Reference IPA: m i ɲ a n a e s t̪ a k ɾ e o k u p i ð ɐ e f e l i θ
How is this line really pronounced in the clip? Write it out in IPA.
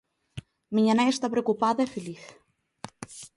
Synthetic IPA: m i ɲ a n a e s t̪ a p ɾ e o k u p a ð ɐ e f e l i θ